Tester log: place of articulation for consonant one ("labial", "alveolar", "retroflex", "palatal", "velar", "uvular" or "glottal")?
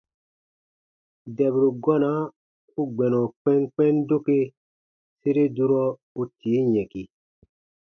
alveolar